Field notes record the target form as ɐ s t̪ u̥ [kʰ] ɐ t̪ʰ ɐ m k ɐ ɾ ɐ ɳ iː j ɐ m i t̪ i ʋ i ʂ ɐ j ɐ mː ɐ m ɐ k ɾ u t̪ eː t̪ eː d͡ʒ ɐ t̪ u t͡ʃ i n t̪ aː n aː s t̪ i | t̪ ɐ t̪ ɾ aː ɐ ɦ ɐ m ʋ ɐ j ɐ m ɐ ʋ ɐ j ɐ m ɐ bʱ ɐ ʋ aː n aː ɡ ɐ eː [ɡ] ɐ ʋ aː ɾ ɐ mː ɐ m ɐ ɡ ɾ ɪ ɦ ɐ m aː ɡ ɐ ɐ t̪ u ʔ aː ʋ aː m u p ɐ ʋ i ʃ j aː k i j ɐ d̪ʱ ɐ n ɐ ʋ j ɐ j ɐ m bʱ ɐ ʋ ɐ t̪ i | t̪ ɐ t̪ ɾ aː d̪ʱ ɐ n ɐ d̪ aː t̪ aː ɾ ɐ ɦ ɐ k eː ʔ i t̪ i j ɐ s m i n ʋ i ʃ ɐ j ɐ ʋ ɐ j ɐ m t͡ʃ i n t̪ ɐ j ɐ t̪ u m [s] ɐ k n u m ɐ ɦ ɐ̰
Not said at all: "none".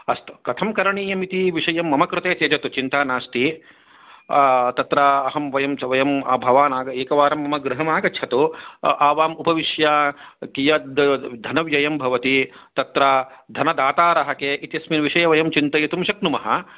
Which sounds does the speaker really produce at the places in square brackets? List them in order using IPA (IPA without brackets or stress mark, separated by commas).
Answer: k, k, ʃ